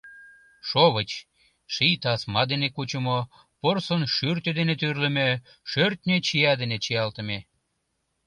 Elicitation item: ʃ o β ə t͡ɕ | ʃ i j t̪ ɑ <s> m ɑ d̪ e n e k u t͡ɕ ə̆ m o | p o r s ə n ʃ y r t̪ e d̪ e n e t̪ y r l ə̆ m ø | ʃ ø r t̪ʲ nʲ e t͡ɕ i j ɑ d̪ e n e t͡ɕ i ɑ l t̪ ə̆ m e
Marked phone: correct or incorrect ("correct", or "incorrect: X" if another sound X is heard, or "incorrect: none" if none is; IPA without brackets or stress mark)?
correct